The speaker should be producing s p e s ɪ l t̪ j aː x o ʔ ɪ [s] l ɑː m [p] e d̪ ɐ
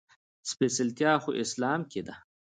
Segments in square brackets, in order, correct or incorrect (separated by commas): correct, incorrect